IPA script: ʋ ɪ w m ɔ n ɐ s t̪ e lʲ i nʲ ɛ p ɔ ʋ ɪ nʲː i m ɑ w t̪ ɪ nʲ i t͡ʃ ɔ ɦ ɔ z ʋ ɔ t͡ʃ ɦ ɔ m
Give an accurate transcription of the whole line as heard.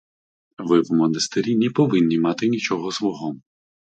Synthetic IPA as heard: ʋ ɪ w m ɔ n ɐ s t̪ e ɾʲ i nʲ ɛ p ɔ ʋ ɪ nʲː i m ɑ t̪ ɪ nʲ i t͡ʃ ɔ ɦ ɔ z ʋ ɔ ɦ ɔ m